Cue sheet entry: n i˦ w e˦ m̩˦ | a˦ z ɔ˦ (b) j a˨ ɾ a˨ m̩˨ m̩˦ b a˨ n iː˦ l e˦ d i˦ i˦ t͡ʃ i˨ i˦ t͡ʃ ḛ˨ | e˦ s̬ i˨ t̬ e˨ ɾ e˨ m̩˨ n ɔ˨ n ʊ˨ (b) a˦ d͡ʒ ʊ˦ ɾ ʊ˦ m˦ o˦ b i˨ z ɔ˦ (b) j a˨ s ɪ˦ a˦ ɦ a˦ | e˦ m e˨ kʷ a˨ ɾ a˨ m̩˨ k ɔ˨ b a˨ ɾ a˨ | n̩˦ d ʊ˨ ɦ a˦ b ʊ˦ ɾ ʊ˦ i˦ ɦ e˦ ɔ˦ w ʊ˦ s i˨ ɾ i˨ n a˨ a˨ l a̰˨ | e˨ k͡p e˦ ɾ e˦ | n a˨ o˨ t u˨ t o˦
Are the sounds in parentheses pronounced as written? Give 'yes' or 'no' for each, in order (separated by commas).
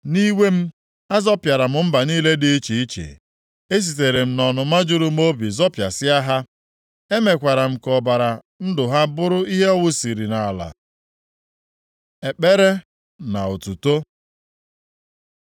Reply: no, no, no